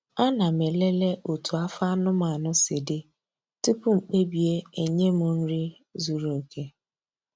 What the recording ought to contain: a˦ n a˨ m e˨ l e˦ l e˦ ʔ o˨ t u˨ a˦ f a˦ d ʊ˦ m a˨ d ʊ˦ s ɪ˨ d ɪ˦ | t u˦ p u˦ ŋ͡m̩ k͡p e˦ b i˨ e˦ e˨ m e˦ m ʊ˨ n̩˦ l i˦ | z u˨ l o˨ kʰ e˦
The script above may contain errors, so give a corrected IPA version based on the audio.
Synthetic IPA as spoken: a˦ n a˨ m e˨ l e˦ l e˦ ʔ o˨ t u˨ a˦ f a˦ n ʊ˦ m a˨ n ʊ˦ s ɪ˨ d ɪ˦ | t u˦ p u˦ ŋ͡m̩ k͡p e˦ b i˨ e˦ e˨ ɲ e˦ m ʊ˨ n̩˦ ɾ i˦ | z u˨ ɾ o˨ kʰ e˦